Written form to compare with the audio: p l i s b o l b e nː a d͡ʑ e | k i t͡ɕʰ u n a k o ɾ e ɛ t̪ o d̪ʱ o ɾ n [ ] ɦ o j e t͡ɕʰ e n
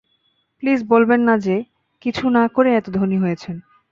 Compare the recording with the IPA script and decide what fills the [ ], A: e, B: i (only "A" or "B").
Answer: B